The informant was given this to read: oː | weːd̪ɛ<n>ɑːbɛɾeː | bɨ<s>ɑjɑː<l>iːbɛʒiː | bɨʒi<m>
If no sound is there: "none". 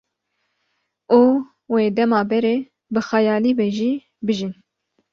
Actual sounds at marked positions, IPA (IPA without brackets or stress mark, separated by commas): m, x, l, n